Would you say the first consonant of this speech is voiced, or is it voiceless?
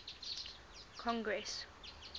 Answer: voiceless